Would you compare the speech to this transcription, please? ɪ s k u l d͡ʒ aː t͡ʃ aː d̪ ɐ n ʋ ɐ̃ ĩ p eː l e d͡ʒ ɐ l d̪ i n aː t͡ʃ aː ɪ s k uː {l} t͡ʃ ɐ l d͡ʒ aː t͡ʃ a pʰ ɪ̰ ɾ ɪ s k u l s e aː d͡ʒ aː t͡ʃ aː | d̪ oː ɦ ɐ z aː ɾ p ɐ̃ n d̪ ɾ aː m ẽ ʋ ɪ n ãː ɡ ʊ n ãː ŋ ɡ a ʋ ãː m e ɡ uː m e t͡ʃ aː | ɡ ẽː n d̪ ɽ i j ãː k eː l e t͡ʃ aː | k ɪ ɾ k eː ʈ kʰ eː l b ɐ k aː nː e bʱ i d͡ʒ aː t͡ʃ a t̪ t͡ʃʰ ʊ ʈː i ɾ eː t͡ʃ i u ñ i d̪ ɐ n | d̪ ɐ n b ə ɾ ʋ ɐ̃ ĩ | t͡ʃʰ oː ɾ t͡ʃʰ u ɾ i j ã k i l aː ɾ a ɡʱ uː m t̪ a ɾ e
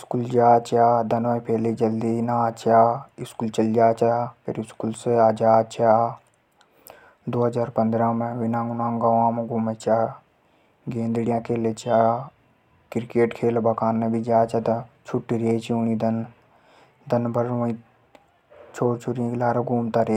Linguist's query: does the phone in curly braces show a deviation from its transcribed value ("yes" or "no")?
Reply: no